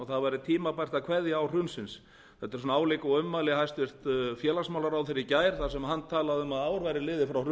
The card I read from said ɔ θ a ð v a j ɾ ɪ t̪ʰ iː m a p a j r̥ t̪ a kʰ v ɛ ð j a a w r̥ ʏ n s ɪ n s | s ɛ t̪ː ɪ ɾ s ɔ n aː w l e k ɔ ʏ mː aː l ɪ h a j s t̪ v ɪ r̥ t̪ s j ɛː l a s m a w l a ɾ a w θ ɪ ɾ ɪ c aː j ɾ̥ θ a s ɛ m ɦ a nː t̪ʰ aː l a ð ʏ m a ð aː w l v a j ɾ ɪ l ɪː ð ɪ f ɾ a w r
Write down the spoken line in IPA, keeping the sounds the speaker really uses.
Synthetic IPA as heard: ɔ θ a ð v a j ɾ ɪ t̪ʰ iː m a p a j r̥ t̪ a kʰ v ɛ ð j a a w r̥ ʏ n s ɪ n s | θ ɛ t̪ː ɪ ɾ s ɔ n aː w l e k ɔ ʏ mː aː l ɪ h a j s t̪ v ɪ r̥ t̪ f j ɛː l a s m a w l a ɾ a w θ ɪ ɾ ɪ c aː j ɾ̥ θ a s ɛ m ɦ a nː t̪ʰ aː l a ð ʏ m a ð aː w ɾ v a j ɾ ɪ l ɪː ð ɪ f ɾ a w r